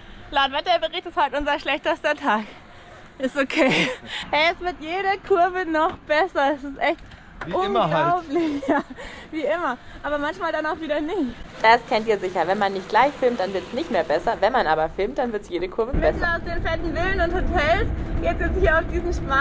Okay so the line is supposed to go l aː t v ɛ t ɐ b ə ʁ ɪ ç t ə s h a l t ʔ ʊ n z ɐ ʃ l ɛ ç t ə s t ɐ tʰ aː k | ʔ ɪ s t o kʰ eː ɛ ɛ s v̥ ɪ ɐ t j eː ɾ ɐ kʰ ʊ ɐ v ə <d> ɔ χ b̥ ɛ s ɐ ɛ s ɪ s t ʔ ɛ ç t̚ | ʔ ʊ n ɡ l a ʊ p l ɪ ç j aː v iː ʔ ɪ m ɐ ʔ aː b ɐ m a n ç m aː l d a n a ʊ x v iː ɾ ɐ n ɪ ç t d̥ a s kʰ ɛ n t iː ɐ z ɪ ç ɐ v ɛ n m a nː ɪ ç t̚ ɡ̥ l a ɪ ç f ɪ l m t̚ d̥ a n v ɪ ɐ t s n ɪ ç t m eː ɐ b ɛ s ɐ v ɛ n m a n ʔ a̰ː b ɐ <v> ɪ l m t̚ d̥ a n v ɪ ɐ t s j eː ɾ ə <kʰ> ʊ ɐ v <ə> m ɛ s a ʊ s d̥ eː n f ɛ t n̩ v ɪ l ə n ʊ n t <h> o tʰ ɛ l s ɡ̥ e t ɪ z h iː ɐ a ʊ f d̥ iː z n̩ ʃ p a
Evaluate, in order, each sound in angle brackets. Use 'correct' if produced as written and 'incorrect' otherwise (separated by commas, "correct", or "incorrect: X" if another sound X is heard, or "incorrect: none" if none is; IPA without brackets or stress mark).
incorrect: n, incorrect: f, correct, correct, correct